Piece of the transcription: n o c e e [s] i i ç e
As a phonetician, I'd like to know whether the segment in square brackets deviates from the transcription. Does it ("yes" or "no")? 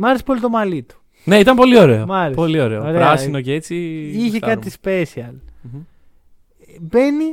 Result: yes